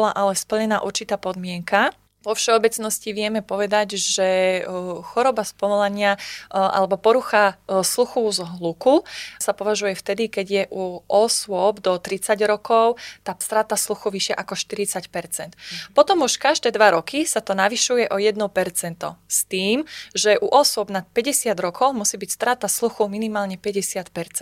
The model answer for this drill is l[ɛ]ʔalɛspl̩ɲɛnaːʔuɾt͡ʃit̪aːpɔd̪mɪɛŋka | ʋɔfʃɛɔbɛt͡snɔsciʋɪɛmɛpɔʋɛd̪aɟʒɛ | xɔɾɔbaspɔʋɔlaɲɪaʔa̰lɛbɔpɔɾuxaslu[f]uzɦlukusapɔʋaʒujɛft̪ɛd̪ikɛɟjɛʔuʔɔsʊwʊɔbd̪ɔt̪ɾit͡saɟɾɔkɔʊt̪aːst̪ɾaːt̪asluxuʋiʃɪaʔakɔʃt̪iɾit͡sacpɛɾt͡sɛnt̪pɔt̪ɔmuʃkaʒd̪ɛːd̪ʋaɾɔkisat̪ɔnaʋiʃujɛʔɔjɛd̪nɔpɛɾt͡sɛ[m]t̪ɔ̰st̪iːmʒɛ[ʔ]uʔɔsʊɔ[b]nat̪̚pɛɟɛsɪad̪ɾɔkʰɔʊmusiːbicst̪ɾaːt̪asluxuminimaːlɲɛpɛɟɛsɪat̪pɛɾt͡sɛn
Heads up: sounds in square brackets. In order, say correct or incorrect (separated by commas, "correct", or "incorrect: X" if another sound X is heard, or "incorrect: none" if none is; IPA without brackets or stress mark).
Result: incorrect: a, incorrect: x, incorrect: n, correct, correct